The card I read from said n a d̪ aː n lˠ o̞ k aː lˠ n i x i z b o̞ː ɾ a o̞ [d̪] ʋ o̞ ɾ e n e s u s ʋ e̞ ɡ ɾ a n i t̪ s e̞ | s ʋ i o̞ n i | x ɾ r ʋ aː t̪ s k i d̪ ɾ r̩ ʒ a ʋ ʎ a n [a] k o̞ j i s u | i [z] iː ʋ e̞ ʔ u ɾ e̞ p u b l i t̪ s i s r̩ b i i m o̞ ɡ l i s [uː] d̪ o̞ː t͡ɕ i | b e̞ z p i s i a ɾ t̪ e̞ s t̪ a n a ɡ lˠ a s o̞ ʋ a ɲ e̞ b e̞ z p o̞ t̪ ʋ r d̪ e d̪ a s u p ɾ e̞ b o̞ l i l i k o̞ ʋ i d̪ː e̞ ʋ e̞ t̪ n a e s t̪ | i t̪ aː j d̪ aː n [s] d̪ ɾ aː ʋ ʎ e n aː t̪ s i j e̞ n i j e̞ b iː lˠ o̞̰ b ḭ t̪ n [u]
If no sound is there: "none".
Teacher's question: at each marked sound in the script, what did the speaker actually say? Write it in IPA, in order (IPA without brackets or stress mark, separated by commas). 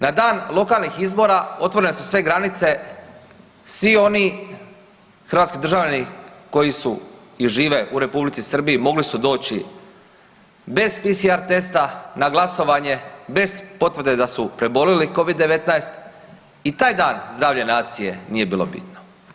t̪, i, ʒ, u, z, o